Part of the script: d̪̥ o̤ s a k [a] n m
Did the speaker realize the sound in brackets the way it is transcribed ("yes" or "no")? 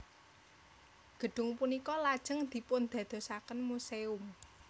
no